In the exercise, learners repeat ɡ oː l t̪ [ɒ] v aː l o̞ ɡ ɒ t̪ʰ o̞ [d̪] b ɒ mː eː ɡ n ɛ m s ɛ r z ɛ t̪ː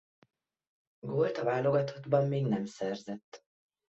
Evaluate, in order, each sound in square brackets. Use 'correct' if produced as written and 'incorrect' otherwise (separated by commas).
correct, correct